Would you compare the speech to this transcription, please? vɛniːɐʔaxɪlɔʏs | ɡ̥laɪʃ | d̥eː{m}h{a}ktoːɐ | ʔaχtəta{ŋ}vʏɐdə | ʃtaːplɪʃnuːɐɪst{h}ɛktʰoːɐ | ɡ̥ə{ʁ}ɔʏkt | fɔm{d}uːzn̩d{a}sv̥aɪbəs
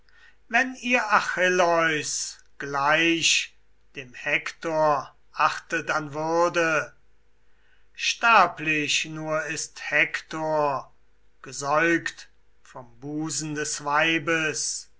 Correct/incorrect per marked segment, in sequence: correct, incorrect: ɛ, incorrect: n, correct, incorrect: z, incorrect: b, incorrect: ɛ

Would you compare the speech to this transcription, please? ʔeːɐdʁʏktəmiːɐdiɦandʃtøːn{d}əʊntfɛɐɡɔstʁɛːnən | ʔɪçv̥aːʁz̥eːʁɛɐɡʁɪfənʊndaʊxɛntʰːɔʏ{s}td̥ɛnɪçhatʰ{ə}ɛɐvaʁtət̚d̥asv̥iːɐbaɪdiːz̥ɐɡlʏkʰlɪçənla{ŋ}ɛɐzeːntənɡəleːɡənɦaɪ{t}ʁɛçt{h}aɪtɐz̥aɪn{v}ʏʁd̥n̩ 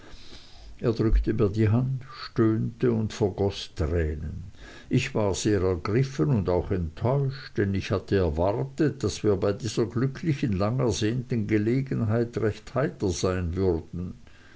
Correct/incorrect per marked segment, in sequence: incorrect: t, incorrect: ʃ, correct, correct, correct, correct, correct

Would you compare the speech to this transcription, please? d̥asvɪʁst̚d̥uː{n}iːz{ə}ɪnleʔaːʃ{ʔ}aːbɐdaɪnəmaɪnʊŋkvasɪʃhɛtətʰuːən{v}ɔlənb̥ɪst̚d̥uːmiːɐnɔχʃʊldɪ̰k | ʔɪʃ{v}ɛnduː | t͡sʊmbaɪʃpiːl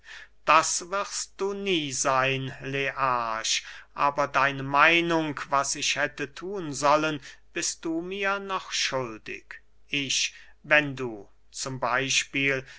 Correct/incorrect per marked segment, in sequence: correct, incorrect: a, correct, incorrect: z, correct

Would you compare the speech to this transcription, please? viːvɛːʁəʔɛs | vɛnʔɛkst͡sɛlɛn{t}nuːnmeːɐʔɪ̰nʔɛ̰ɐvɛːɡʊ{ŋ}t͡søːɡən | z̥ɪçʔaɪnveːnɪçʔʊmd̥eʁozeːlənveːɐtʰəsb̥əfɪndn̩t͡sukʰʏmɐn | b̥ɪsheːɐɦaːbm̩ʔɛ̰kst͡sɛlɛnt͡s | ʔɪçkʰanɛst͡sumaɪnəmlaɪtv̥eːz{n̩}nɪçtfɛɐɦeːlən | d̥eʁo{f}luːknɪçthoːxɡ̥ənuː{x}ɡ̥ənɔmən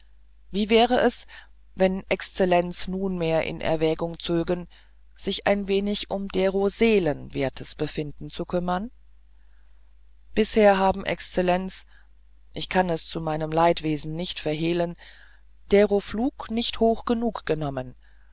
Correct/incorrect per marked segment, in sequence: incorrect: t͡s, correct, correct, correct, incorrect: k

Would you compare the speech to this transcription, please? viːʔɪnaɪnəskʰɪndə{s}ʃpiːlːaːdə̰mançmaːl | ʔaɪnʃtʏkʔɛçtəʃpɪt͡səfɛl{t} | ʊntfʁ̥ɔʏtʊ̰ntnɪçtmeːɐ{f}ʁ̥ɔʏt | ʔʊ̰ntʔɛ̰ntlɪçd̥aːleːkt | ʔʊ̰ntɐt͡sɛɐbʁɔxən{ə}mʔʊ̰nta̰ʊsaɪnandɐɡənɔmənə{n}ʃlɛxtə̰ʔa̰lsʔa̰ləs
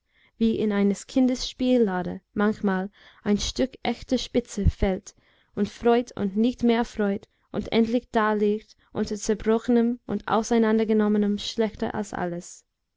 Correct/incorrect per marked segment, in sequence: correct, correct, correct, correct, incorrect: m

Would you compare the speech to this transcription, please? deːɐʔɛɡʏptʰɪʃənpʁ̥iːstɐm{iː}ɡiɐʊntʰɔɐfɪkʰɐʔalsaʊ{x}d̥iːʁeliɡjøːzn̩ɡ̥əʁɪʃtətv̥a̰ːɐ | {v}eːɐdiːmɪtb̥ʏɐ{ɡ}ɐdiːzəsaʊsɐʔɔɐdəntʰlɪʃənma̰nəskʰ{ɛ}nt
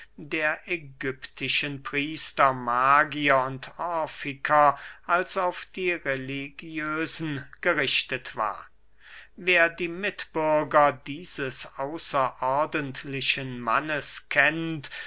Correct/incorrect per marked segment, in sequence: incorrect: aː, incorrect: f, correct, correct, correct

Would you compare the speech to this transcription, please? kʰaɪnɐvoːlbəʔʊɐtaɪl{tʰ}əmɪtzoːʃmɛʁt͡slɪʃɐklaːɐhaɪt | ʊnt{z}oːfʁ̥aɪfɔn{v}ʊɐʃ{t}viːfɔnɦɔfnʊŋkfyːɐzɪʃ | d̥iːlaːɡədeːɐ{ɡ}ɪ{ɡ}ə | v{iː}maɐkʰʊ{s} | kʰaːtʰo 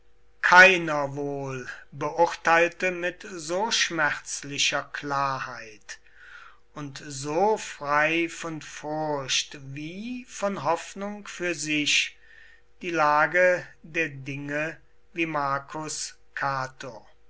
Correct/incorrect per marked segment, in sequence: incorrect: t, correct, incorrect: f, correct, incorrect: d, incorrect: ŋ, correct, correct

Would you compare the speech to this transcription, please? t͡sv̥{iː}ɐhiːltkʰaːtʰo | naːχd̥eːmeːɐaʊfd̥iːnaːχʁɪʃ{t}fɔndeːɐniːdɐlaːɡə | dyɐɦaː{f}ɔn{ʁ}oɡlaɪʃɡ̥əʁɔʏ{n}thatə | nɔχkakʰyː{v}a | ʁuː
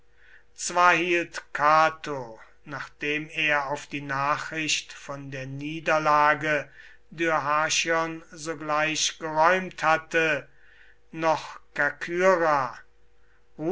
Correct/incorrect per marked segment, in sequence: incorrect: aː, correct, incorrect: ʃ, incorrect: z, incorrect: m, incorrect: ʁ

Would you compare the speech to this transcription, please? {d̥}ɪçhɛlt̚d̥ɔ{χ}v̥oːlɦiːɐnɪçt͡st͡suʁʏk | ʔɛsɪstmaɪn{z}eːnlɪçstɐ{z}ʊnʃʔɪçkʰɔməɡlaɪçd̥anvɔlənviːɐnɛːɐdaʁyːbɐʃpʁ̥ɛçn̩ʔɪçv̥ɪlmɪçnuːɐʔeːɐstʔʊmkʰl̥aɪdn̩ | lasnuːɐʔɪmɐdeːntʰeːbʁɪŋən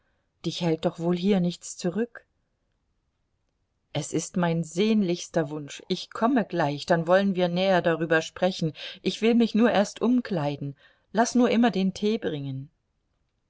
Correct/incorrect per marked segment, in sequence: correct, correct, correct, incorrect: v

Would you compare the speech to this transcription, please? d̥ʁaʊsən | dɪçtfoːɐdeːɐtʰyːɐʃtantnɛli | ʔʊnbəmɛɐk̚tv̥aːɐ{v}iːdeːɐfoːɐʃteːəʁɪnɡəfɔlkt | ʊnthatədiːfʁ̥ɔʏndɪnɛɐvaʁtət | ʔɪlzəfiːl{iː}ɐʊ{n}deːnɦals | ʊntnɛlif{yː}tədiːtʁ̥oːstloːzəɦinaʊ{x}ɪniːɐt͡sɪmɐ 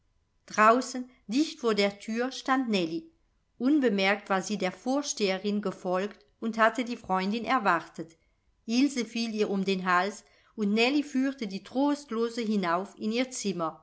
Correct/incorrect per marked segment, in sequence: incorrect: z, correct, incorrect: m, correct, incorrect: f

